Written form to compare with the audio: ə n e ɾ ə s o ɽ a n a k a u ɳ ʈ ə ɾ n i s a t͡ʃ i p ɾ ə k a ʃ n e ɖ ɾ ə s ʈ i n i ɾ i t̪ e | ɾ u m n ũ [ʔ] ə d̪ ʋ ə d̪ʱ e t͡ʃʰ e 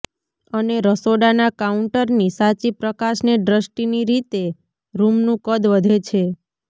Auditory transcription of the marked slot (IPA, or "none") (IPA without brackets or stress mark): k